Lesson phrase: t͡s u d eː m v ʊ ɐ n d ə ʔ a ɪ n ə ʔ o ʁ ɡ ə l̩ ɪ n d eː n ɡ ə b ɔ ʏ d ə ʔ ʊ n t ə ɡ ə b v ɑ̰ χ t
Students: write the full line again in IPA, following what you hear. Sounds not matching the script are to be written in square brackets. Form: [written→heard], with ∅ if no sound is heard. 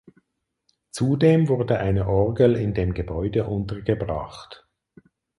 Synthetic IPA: t͡s u d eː m v ʊ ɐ [n→∅] d ə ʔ a ɪ n ə ʔ [o→ɔ] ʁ ɡ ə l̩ ɪ n d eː [n→m] ɡ ə b ɔ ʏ d ə ʔ ʊ n t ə ɡ ə b [v→ʁ] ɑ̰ χ t